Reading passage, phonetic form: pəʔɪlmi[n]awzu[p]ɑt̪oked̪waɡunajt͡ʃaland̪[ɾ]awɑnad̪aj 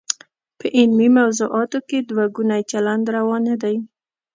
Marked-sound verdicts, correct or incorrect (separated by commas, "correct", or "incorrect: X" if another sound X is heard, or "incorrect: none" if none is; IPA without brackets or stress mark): incorrect: m, incorrect: ʔ, correct